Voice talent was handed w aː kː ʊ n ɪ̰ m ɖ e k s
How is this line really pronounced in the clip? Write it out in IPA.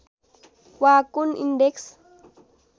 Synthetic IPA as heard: w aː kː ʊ n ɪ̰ n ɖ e k s